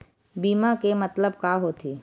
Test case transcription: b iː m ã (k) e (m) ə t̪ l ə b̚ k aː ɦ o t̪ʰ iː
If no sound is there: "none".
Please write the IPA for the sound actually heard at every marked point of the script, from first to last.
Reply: k, m

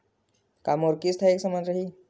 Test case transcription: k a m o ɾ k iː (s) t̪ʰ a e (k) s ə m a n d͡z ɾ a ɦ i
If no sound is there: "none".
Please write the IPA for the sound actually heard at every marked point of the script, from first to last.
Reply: s, k

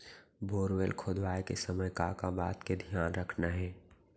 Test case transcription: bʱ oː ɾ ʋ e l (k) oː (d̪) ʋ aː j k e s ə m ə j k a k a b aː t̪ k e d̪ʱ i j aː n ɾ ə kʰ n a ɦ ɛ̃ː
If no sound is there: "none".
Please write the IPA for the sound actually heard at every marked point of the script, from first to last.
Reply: kʰ, d̪

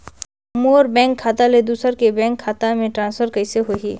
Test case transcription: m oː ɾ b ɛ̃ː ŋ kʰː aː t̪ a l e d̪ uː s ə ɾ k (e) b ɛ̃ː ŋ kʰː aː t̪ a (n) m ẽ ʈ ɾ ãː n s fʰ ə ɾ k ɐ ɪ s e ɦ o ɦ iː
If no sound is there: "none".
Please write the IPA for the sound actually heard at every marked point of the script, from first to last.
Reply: e, none

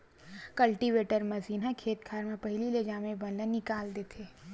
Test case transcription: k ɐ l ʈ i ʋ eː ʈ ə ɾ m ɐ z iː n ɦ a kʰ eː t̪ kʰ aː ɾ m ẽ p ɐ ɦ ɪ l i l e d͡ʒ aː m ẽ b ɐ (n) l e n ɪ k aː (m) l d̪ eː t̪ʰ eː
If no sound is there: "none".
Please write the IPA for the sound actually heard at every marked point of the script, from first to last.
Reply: n, none

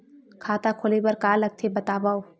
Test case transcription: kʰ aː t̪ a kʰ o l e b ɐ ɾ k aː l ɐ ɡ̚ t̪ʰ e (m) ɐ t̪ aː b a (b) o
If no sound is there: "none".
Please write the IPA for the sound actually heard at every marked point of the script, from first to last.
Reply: b, none

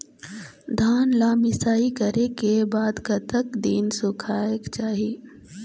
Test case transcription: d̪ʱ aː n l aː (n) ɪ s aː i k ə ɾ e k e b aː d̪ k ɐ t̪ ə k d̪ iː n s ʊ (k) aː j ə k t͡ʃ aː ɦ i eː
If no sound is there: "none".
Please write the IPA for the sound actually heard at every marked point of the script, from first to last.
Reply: m, kʰ

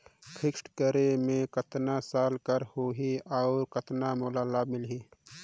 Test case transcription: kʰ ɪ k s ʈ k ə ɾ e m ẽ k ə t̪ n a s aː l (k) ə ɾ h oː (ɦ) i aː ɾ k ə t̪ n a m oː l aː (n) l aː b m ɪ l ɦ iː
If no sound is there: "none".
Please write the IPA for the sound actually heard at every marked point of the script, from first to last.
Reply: k, ɦ, none

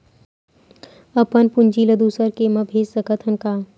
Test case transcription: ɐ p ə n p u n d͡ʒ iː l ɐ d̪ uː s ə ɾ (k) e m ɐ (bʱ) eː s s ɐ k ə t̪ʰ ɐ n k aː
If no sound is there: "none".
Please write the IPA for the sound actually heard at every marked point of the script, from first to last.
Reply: k, bʱ

